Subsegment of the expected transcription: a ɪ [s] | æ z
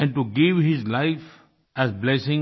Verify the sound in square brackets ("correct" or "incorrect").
incorrect